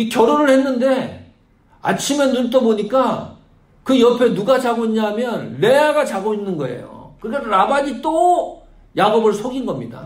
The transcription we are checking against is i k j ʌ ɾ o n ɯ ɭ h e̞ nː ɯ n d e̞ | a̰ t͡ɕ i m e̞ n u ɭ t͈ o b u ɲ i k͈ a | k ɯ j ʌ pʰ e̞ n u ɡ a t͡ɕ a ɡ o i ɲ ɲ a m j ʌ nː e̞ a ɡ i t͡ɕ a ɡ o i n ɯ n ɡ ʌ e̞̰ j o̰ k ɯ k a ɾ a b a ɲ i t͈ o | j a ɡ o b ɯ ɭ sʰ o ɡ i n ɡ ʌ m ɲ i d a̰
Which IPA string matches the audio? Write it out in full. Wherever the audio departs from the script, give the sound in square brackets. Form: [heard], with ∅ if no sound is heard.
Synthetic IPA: i k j ʌ ɾ o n ɯ ɭ h e̞ nː ɯ n d e̞ | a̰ [t͡ɕʰ] i m e̞ n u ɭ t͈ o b [o] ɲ i k͈ a | k ɯ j ʌ pʰ e̞ n u ɡ a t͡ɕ a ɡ o i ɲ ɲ a m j ʌ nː e̞ a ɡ [a] t͡ɕ a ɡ o i [nː] ɯ n ɡ ʌ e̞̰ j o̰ k ɯ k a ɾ a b a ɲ i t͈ o | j a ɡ o b ɯ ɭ sʰ o ɡ i n ɡ ʌ m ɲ i d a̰